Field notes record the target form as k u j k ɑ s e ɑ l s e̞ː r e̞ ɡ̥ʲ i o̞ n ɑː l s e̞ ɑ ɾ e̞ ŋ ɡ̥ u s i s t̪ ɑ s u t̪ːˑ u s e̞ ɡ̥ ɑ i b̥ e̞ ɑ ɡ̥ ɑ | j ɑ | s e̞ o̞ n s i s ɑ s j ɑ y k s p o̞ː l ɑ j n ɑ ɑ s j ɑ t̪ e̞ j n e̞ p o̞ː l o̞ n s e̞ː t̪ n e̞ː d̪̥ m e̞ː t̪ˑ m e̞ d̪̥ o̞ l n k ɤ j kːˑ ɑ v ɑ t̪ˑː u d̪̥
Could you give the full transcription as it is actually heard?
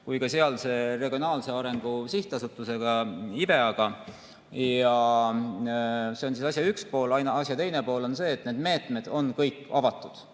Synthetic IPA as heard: k u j k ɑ s e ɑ l s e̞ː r e̞ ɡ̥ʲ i o̞ n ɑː l s e̞ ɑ ɾ e̞ ŋ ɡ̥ u s i h t̪ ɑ s u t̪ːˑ u s e̞ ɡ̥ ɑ i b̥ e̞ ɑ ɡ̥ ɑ | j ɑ | s e̞ o̞ n s i s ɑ s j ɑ y k s p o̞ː l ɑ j n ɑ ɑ s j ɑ t̪ e̞ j n e̞ p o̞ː l o̞ n s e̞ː t̪ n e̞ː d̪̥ m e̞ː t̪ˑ m e̞ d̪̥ o̞ n k ɤ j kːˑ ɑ v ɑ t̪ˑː u d̪̥